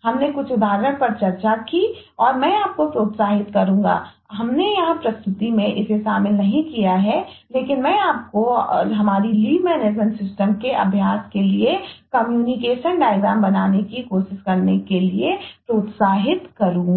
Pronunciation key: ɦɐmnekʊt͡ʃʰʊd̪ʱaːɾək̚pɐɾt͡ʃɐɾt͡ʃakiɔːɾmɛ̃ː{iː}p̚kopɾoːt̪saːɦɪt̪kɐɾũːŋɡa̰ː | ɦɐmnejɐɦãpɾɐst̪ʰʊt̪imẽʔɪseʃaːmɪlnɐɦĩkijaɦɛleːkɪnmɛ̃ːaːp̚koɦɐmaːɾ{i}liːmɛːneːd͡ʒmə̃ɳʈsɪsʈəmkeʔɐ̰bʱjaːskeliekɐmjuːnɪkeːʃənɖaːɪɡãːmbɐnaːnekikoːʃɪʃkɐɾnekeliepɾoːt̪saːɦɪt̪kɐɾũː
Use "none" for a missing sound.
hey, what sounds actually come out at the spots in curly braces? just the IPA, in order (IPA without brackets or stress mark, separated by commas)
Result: aː, i